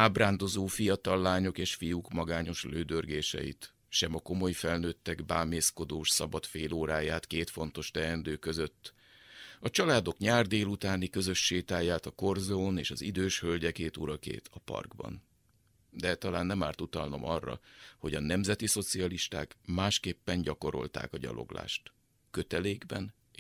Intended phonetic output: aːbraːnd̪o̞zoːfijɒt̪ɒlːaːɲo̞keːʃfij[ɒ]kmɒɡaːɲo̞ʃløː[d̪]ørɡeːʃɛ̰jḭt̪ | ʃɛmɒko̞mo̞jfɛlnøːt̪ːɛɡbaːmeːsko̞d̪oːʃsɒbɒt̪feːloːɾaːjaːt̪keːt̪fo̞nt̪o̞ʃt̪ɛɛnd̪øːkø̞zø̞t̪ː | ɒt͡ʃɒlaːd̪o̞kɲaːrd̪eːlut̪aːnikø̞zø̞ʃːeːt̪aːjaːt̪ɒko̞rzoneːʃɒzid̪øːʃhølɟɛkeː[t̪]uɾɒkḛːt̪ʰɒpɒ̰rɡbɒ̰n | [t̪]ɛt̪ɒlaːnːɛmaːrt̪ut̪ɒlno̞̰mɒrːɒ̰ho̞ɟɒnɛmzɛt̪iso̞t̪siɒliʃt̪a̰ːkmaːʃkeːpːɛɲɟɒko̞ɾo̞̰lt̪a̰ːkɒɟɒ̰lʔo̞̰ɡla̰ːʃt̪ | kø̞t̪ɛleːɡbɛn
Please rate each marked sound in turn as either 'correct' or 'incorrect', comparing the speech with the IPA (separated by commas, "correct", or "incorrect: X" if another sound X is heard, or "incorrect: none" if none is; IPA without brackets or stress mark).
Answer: incorrect: u, correct, correct, incorrect: d̪